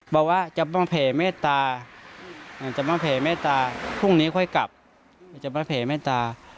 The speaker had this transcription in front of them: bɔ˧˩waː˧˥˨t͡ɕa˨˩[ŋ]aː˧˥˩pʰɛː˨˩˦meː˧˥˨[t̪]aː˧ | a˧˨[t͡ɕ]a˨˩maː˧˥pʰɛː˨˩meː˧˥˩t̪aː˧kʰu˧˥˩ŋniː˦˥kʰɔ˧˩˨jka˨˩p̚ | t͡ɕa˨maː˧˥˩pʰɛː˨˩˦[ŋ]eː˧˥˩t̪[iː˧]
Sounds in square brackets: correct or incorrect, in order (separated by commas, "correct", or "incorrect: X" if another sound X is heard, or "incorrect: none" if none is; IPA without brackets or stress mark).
incorrect: m, correct, correct, incorrect: m, incorrect: aː˧